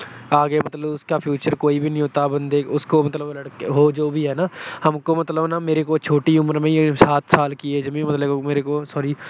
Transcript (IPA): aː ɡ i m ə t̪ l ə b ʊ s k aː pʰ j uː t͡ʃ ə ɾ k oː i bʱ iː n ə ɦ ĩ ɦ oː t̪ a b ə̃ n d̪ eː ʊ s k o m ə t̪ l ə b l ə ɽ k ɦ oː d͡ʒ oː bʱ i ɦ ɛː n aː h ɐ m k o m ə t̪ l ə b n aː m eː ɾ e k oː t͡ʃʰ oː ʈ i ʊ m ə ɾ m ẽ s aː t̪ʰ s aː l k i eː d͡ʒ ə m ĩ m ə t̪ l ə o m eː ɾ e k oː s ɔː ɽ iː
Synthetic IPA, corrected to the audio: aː ɡ e m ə t̪ l ə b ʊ s k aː pʰ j uː t͡ʃ ə ɾ k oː i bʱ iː n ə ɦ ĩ ɦ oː t̪ a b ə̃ n d̪ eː ʊ s k o m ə t̪ l ə b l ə ɽ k ɦ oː d͡ʒ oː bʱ i ɦ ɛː n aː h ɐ m k o m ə t̪ l ə b n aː m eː ɾ e k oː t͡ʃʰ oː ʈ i ʊ m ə ɾ m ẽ s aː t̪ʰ s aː l k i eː d͡ʒ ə m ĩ m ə t̪ l ə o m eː ɾ e k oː s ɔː ɾ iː